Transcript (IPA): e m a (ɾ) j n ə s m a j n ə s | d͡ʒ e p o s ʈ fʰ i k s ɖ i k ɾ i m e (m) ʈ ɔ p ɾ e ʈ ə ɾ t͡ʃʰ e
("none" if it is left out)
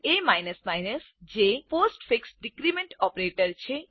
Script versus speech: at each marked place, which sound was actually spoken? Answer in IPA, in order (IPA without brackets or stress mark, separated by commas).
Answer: none, ɳ